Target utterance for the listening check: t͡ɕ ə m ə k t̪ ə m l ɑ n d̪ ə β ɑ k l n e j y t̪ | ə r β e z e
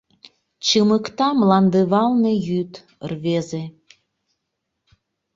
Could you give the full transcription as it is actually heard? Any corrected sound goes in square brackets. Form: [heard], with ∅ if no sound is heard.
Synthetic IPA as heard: t͡ɕ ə m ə k t̪ [ɑ] m l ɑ n d̪ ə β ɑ [∅] l n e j y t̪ | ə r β e z e